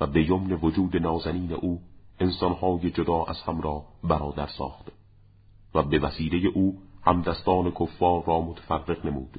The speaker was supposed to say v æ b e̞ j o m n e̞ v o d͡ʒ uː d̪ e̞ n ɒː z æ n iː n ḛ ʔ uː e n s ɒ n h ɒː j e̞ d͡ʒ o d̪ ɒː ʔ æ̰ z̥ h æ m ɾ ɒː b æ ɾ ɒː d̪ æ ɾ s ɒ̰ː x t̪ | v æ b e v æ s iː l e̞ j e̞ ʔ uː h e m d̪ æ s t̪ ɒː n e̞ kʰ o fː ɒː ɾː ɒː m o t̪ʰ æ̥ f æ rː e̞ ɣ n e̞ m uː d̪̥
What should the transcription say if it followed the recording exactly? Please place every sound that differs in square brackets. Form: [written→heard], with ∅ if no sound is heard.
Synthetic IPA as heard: v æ b e̞ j o m n e̞ v o d͡ʒ uː d̪ e̞ n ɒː z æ n iː n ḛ ʔ uː e n s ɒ n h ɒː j e̞ d͡ʒ o d̪ ɒː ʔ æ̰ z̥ h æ m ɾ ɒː b æ ɾ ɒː d̪ æ ɾ s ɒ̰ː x t̪ | v æ b e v æ s iː l e̞ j e̞ ʔ uː h [e→æ] m d̪ æ s t̪ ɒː n e̞ kʰ o fː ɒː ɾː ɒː m o t̪ʰ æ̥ f æ rː e̞ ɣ n e̞ m uː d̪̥